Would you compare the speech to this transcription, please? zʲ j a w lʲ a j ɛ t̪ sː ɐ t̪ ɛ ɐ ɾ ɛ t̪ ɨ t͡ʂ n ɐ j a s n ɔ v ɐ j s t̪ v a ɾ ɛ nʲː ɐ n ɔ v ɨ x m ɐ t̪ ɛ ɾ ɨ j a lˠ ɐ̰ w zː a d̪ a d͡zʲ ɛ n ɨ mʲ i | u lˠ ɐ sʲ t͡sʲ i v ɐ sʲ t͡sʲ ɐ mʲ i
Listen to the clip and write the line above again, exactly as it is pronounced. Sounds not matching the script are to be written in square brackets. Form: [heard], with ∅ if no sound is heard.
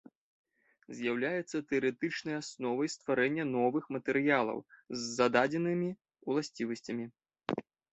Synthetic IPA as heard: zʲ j a w lʲ a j ɛ t̪ sː ɐ t̪ ɛ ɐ ɾ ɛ t̪ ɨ t͡ʂ n ɐ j a s n ɔ v ɐ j s t̪ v a ɾ ɛ nʲː ɐ n ɔ v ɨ x m ɐ t̪ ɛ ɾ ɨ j a lˠ ɐ̰ w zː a d̪ a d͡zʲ ɛ n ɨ mʲ i | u lˠ [a] sʲ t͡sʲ i v ɐ sʲ t͡sʲ ɐ mʲ i